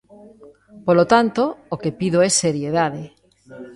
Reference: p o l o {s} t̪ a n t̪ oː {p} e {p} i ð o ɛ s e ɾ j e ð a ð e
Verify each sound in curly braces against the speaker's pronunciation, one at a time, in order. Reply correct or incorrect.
incorrect: none, incorrect: k, correct

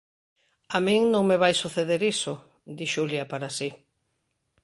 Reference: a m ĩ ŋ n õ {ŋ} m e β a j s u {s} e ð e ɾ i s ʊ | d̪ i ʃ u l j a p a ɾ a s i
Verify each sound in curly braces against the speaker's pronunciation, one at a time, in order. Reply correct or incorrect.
correct, incorrect: θ

